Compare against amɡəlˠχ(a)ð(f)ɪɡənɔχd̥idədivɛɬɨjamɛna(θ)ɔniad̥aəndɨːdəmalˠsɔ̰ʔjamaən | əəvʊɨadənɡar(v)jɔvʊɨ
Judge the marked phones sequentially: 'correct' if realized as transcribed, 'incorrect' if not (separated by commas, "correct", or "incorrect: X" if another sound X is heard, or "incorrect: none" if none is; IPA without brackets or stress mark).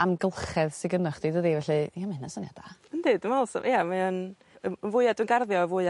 incorrect: ɛ, incorrect: s, incorrect: s, incorrect: ð